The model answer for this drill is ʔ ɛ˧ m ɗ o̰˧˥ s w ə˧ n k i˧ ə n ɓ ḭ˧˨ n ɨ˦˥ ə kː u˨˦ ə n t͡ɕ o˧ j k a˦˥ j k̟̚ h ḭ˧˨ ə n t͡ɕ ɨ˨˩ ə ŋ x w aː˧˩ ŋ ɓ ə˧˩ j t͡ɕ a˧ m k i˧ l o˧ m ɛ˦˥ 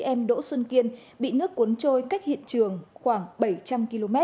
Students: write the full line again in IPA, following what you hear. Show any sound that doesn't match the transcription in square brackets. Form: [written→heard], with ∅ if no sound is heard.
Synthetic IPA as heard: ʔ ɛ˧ m ɗ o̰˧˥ s w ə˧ n k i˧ ə n ɓ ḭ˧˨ n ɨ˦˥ ə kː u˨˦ ə n t͡ɕ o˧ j k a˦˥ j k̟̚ h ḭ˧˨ ə n t͡ɕ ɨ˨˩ ə ŋ x w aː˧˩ ŋ ɓ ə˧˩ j t͡ɕ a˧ m k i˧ l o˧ m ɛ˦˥